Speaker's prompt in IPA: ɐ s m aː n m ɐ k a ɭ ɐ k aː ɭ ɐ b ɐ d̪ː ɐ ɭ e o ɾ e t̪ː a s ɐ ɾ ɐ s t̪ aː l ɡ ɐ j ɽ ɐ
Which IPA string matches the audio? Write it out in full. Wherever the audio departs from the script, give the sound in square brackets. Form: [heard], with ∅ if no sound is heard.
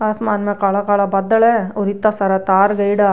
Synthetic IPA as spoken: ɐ s m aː n m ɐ k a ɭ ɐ k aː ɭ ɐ b ɐ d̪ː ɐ ɭ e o ɾ [i] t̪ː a s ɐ ɾ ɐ [∅] t̪ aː [ɾ] ɡ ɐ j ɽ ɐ